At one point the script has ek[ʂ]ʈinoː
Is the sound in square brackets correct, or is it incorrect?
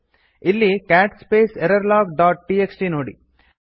incorrect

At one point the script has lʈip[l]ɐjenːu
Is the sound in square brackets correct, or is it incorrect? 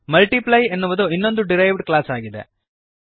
correct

